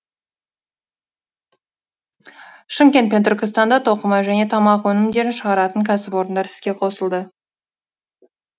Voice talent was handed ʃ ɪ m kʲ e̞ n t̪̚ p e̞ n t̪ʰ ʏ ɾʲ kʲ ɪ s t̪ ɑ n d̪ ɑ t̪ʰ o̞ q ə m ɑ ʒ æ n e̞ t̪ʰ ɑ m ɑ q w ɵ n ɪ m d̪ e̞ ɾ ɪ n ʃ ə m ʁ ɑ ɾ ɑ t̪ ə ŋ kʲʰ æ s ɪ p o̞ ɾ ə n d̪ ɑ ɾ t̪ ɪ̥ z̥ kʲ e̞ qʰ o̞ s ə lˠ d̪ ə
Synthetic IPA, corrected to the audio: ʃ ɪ m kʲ e̞ n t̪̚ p e̞ n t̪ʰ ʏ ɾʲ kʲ ɪ s t̪ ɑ n d̪ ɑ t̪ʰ o̞ q ə m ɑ ʒ æ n e̞ t̪ʰ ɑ m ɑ q w ɵ n ɪ m d̪ e̞ ɾ ɪ n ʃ ə ʁ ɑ ɾ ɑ t̪ ə ŋ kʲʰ æ s ɪ p o̞ ɾ ə n d̪ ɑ ɾ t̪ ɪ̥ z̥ kʲ e̞ qʰ o̞ s ə lˠ d̪ ə